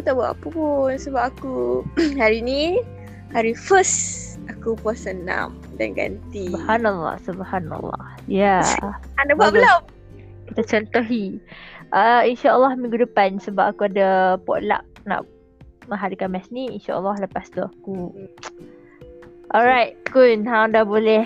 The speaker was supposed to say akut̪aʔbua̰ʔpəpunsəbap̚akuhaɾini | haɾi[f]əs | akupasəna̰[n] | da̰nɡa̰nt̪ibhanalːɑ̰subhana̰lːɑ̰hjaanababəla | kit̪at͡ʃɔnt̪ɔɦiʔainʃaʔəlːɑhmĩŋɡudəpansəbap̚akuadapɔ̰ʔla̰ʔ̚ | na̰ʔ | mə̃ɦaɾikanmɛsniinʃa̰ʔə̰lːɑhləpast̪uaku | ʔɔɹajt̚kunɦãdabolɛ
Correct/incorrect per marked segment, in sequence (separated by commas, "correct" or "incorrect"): correct, incorrect